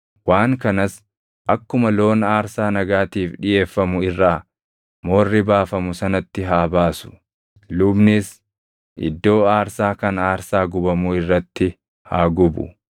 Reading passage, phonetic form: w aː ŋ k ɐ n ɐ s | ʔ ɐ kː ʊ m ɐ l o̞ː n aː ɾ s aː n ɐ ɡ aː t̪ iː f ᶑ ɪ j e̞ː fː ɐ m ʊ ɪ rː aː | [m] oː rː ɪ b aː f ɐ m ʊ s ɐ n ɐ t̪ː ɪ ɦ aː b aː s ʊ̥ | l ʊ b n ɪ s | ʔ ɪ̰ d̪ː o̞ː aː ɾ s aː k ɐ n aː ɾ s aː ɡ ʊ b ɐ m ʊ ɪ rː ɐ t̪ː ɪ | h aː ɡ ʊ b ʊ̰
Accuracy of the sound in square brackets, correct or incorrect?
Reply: correct